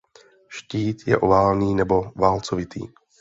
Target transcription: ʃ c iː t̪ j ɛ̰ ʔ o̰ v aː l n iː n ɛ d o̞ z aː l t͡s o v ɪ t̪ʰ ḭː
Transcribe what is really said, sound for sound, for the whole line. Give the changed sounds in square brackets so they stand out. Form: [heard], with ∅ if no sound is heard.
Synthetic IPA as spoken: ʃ c iː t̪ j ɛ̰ ʔ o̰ v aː l n iː n ɛ [b] o̞ [v] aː l t͡s o v ɪ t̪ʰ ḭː